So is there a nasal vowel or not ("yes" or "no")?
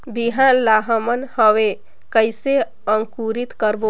no